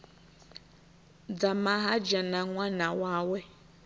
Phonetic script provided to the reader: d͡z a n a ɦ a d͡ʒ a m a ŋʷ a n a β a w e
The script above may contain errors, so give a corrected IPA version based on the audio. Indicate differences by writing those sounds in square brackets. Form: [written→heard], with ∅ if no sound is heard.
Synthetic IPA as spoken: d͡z a [n→m] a ɦ a d͡ʒ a [m→n] a ŋʷ a n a [β→w] a w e